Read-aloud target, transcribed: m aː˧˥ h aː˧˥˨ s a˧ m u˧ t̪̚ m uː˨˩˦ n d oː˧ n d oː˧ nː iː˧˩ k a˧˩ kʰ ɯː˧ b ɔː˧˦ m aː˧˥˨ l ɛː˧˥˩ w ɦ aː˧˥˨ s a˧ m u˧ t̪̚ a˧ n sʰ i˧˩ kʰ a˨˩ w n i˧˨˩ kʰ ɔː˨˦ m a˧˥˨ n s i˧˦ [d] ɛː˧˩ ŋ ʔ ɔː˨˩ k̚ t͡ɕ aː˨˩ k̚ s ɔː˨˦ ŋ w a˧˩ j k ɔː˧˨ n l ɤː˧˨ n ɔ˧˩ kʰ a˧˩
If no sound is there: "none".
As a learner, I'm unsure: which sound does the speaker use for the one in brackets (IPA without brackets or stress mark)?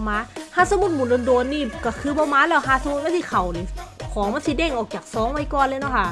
d